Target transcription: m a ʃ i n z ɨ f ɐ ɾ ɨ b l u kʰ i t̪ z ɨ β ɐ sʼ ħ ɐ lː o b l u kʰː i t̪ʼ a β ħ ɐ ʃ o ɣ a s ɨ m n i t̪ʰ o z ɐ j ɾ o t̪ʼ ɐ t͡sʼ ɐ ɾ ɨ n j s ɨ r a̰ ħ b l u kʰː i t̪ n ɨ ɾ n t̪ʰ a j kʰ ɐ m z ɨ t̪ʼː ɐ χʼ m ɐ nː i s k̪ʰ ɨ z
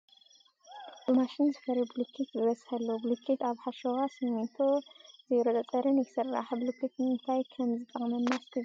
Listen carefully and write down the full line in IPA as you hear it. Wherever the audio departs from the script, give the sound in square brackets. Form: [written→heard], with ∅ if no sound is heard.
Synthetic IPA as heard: m a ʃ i n z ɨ f ɐ ɾ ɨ b l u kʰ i t̪ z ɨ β ɐ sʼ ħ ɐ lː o b l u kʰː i [t̪ʼ→t̪] a β ħ [ɐ→a] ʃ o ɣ a s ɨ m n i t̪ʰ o z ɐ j ɾ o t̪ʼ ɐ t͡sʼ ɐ ɾ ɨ n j s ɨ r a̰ ħ b l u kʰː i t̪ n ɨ [ɾ→∅] n t̪ʰ a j kʰ ɐ m z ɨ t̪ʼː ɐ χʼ m ɐ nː [i→a] s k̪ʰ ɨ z

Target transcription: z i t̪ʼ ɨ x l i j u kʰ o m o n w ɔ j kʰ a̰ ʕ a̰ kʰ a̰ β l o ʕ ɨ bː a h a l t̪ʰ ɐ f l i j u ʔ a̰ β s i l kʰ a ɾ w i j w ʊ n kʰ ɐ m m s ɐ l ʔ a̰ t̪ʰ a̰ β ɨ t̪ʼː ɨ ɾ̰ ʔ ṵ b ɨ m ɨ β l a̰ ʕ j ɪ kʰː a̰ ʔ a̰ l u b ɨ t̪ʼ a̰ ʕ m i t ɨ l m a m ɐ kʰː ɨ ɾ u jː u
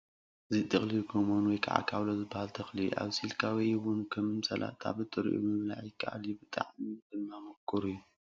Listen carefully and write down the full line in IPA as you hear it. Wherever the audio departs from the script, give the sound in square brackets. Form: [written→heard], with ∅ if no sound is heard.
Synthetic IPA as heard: z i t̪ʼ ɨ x l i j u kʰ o m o n w ɔ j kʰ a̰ ʕ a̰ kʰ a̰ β l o [ʕ→z] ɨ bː a h a l t̪ʰ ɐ [f→x] l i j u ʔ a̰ β s i l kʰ a [ɾ→∅] w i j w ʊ n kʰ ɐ m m s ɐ l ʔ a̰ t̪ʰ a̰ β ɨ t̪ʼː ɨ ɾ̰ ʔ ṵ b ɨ m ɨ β l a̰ ʕ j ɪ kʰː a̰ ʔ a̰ l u b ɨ t̪ʼ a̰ ʕ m i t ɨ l m a m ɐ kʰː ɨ ɾ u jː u

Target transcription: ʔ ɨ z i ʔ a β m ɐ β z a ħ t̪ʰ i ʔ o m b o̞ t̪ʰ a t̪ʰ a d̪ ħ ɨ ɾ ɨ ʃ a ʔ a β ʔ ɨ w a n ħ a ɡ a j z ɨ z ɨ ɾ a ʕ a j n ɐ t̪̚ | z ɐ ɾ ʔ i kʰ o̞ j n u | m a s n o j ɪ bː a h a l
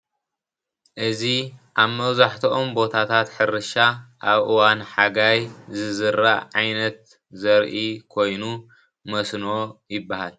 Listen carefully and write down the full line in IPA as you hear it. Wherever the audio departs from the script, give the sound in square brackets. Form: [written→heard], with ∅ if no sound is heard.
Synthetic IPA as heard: ʔ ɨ z i ʔ a β m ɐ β z a ħ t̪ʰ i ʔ o m b o̞ t̪ʰ a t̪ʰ a [d̪→t̪] ħ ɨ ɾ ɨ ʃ a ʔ a β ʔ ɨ w a n ħ a ɡ a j z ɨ z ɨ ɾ a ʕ a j n ɐ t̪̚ | z ɐ ɾ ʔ i kʰ o̞ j n u | m [a→ɐ] s n o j ɪ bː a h a l

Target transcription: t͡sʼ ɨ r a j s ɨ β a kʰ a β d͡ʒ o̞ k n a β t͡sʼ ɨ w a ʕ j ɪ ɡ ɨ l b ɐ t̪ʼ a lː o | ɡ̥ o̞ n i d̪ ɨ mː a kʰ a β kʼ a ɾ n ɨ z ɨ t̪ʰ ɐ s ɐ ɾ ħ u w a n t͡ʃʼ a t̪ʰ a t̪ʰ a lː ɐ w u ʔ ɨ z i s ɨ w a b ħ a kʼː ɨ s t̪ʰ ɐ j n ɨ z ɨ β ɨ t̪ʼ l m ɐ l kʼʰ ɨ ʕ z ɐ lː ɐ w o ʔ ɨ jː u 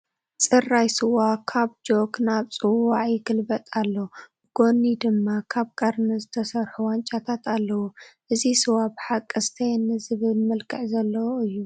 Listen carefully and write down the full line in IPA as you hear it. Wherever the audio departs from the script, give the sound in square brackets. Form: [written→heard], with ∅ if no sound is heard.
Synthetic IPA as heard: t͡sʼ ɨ r a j s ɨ [β→w] a kʰ a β d͡ʒ o̞ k n a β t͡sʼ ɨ w a ʕ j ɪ ɡ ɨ l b ɐ t̪ʼ a lː o | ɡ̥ o̞ n i d̪ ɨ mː a kʰ a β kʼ [a→ɐ] ɾ n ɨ z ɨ t̪ʰ ɐ s ɐ ɾ ħ u w a n t͡ʃʼ a t̪ʰ a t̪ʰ a lː ɐ w u ʔ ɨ z i s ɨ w a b ħ a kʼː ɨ s t̪ʰ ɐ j n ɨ z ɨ β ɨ [t̪ʼ→∅] l m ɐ l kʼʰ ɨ ʕ z ɐ lː ɐ w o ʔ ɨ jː u

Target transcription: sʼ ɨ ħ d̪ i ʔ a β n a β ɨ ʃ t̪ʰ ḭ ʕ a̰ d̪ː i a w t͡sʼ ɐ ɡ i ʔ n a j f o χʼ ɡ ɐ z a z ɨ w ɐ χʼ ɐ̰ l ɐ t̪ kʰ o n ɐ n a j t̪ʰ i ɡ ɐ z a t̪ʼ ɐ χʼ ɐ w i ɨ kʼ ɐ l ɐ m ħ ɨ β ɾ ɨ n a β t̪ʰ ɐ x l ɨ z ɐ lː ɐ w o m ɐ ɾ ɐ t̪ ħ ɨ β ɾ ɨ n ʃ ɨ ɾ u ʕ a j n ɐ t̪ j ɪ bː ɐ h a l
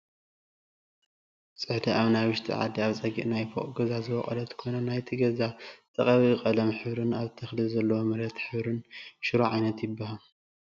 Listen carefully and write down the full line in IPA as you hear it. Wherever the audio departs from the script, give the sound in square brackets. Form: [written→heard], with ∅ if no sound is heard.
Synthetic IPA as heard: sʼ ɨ ħ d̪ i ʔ a β n a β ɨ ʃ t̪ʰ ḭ ʕ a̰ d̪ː i a [w→β] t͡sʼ ɐ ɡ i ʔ n a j f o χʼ ɡ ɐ z a z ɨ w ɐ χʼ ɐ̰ l ɐ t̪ kʰ o n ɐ n a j t̪ʰ i ɡ ɐ z a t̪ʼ ɐ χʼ ɐ [w→β] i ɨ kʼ ɐ l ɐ m ħ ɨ β ɾ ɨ n a β t̪ʰ ɐ x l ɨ z ɐ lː ɐ w o m ɐ ɾ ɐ t̪ ħ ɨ β ɾ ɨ n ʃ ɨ ɾ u ʕ a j n ɐ t̪ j ɪ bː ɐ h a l

